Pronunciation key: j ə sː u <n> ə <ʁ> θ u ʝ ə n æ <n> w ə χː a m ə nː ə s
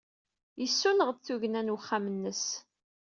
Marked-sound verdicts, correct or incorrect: correct, correct, correct

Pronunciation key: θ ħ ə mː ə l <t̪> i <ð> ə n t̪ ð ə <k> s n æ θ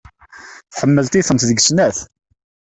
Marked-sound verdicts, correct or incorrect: correct, incorrect, incorrect

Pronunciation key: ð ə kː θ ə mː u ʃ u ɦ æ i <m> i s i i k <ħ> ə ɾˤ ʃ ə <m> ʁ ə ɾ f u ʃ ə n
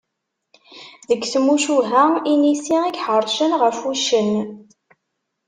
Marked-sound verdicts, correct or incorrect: incorrect, correct, incorrect

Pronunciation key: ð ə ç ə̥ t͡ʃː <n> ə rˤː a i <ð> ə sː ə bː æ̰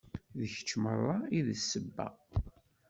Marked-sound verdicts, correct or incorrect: incorrect, correct

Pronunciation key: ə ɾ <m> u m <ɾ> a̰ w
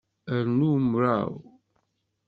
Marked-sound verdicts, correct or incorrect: incorrect, correct

